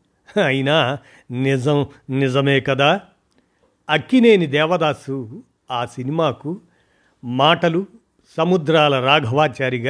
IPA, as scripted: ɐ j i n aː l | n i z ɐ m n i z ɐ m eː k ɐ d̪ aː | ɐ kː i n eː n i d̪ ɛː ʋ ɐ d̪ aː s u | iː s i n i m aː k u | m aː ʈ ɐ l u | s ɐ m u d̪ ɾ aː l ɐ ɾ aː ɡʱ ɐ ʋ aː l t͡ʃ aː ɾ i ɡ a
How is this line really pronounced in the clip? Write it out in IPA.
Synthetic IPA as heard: ɐ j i n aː | n i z ɐ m n i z ɐ m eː k ɐ d̪ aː | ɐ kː i n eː n i d̪ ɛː ʋ ɐ d̪ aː s u | aː s i n i m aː k u | m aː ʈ ɐ l u | s ɐ m u d̪ ɾ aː l ɐ ɾ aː ɡʱ ɐ ʋ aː t͡ʃ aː ɾ i ɡ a